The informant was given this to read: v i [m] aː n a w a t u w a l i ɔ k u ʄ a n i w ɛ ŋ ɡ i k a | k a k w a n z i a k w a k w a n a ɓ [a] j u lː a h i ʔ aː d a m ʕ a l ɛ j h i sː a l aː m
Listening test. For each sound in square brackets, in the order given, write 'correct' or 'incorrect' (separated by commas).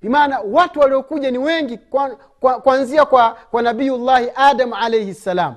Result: correct, incorrect